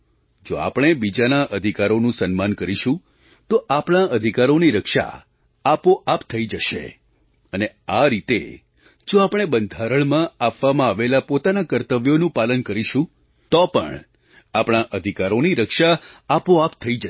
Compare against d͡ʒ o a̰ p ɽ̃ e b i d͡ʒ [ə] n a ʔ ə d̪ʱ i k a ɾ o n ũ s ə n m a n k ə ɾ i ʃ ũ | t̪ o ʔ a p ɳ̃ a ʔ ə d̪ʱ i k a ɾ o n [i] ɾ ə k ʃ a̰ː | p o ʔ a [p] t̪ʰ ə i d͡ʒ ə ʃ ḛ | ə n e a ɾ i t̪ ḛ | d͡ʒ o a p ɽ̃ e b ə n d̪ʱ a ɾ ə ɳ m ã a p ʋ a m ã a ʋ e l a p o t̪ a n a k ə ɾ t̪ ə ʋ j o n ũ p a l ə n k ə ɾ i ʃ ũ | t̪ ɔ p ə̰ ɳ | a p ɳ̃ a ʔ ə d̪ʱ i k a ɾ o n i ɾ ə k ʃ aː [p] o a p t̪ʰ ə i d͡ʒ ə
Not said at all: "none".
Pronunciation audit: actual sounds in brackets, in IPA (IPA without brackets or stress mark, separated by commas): a, i, p, p